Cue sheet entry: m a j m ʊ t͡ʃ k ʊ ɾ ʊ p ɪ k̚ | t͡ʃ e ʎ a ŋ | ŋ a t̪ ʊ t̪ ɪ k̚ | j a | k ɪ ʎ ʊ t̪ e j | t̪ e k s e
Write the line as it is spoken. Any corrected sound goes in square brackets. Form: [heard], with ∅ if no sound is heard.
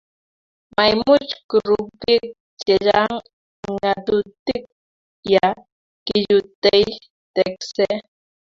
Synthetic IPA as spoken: m a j m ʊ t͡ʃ k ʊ ɾ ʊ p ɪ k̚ | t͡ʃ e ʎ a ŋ | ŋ a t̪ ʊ t̪ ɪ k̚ | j a | k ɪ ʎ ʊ t̪ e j | t̪ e k s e